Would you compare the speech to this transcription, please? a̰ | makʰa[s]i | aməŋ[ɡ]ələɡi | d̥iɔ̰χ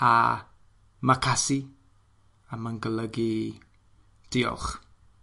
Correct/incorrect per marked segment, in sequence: correct, correct

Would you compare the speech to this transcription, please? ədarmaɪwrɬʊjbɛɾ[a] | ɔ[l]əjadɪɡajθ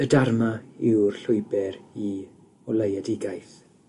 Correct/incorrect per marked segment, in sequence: incorrect: i, correct

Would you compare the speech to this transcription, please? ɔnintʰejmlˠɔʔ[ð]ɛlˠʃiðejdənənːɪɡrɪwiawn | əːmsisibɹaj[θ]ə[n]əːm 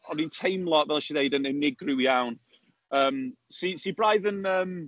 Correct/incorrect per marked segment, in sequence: incorrect: v, incorrect: ð, correct

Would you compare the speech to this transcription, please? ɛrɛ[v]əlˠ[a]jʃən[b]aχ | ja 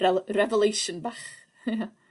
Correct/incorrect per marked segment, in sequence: correct, incorrect: e, correct

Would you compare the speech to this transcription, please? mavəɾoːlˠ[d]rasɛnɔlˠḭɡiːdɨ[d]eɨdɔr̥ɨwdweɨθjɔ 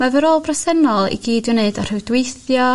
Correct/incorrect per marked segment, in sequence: incorrect: b, incorrect: n

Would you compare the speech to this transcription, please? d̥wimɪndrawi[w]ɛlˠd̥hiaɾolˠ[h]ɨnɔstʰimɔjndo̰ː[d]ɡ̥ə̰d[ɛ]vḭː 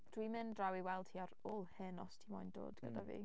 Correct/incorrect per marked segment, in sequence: correct, correct, correct, incorrect: a

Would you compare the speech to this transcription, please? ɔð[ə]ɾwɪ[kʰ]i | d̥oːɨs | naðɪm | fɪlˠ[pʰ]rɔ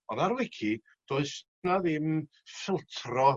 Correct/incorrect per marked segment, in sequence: incorrect: a, correct, incorrect: tʰ

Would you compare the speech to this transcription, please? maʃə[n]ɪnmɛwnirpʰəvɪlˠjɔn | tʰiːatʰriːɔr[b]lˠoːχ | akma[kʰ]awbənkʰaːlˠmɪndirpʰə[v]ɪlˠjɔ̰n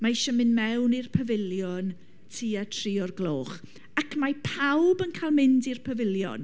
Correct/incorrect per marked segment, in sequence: incorrect: m, incorrect: ɡ, incorrect: pʰ, correct

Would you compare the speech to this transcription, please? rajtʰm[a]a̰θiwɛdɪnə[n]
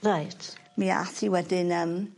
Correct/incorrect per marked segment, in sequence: incorrect: i, incorrect: m

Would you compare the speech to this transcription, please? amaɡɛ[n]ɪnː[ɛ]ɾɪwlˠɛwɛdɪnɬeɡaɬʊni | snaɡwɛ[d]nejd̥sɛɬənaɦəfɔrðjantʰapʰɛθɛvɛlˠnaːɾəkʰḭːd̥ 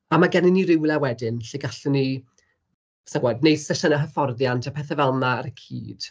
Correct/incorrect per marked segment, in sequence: correct, incorrect: i, correct

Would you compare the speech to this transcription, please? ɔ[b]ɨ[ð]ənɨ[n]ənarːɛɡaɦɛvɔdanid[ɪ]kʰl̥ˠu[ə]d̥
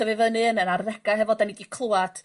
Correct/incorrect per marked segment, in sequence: incorrect: v, incorrect: v, correct, incorrect: i, incorrect: a

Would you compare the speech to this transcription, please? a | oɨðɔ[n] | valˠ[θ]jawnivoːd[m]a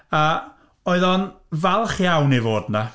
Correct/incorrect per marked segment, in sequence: correct, incorrect: χ, incorrect: n

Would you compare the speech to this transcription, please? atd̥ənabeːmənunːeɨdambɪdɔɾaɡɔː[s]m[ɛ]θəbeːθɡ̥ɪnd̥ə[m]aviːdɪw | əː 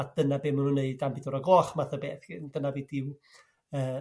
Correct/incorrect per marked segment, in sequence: incorrect: χ, incorrect: a, incorrect: n

